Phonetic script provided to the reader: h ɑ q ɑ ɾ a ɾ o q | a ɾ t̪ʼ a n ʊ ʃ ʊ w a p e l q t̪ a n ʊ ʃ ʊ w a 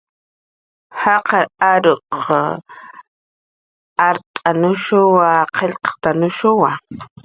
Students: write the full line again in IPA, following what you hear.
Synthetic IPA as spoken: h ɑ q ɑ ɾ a ɾ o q | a ɾ t̪ʼ a n ʊ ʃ ʊ w a q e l q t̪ a n ʊ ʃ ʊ w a